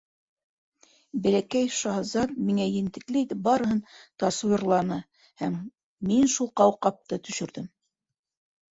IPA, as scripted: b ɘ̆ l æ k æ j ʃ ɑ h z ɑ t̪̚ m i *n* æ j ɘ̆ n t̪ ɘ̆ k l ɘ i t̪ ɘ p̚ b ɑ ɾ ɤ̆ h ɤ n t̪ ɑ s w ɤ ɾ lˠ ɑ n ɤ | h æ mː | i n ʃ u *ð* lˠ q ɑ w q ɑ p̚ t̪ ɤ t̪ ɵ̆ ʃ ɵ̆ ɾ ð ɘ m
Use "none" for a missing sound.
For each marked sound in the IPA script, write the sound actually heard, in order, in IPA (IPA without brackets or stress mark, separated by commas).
ŋ, none